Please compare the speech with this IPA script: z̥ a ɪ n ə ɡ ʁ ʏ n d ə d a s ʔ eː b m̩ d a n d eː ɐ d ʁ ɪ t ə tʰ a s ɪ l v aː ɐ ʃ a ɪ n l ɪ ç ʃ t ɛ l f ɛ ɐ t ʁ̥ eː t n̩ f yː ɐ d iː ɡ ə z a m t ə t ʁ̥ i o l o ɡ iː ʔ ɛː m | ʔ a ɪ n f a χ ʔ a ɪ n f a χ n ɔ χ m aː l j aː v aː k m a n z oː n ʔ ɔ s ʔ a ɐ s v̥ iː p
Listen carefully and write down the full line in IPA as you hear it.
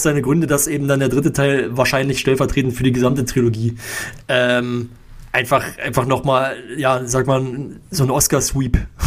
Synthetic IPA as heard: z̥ a ɪ n ə ɡ ʁ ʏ n d ə d a s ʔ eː b m̩ d a n d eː ɐ d ʁ ɪ t ə tʰ a ɪ l v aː ɐ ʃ a ɪ n l ɪ ç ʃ t ɛ l f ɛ ɐ t ʁ̥ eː t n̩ f yː ɐ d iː ɡ ə z a m t ə t ʁ̥ i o l o ɡ iː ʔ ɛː m | ʔ a ɪ n f a χ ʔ a ɪ n f a χ n ɔ χ m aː l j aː z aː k m a n z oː n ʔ ɔ s k a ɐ s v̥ iː p